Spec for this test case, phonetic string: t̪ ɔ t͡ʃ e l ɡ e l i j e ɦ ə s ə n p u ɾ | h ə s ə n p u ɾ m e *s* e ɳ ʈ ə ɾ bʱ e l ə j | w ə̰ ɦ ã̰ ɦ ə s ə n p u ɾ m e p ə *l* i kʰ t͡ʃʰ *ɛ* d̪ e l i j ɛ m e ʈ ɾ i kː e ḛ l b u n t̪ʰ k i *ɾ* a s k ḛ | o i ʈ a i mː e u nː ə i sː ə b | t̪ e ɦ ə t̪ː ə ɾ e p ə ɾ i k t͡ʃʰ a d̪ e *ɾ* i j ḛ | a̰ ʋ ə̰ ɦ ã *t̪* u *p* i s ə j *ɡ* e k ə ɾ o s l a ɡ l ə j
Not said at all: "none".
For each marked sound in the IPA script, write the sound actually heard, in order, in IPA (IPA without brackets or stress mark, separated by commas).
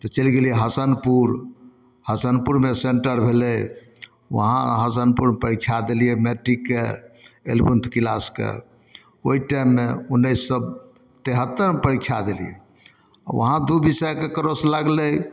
s, ɾ, a, l, l, d̪, b, k